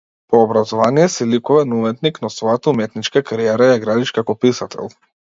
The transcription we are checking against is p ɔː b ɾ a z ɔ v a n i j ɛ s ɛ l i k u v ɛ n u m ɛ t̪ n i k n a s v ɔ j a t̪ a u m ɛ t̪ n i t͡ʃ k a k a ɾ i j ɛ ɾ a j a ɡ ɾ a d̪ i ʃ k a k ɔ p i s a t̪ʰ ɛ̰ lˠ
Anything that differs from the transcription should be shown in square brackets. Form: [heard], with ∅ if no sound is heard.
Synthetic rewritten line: p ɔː b ɾ a z ɔ v a n i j ɛ s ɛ l i k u v ɛ n u m ɛ t̪ n i k n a s v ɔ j a t̪ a u m ɛ t̪ n i t͡ʃ k a k a ɾ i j ɛ ɾ a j a ɡ ɾ a d̪ i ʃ k a k ɔ p i s a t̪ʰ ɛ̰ lˠ